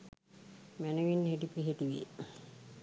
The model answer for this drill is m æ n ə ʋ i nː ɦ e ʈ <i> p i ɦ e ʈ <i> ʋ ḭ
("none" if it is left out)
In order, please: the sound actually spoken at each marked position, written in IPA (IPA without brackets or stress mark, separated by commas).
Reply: i, i